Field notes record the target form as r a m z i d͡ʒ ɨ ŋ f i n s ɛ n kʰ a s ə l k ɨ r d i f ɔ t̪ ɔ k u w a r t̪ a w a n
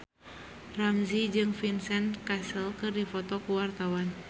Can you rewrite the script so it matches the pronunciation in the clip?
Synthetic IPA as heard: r a m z i d͡ʒ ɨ ŋ f i n s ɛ n k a s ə l k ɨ r d i f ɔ t̪ ɔ k u w a r t̪ a w a n